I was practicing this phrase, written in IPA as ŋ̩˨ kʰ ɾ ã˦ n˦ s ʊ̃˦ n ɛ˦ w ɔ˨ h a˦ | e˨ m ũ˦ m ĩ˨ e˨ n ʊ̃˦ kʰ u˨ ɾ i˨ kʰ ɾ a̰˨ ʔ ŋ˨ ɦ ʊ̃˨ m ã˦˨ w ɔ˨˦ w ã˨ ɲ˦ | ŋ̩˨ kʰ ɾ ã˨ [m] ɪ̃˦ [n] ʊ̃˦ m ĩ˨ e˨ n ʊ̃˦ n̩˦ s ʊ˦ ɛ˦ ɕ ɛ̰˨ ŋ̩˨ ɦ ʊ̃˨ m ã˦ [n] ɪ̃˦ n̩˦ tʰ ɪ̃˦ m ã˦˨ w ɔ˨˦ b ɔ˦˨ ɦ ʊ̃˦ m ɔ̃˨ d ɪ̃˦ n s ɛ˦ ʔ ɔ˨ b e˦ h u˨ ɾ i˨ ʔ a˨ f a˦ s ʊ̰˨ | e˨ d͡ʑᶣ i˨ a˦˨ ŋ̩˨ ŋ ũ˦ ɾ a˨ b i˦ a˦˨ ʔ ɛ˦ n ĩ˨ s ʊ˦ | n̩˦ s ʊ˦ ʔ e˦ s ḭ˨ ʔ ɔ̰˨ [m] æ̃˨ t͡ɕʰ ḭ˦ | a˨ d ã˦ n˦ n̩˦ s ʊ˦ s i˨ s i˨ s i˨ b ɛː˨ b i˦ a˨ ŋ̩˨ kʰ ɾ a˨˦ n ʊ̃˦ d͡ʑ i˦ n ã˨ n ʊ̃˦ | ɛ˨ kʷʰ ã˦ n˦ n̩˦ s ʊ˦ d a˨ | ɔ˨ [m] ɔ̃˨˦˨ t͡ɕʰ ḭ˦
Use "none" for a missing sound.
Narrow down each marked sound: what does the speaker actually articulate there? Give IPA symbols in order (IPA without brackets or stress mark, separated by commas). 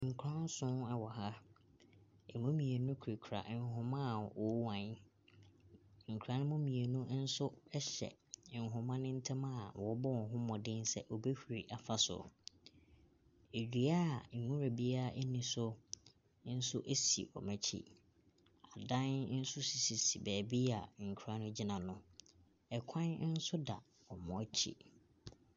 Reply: n, m, n, m, m